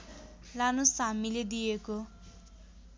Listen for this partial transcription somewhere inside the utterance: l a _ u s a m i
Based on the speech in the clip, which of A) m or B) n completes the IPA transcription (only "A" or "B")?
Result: B